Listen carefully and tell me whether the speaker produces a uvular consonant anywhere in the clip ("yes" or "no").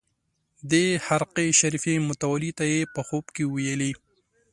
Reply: yes